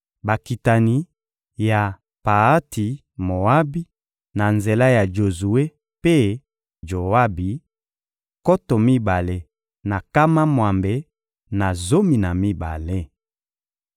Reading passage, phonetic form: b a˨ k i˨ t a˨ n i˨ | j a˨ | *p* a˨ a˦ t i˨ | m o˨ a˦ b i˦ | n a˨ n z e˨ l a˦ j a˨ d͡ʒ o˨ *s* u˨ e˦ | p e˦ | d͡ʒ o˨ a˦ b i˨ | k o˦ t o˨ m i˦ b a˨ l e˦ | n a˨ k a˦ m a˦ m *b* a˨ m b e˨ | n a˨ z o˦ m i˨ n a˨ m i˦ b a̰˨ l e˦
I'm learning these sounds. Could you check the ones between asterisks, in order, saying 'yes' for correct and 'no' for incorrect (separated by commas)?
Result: yes, no, no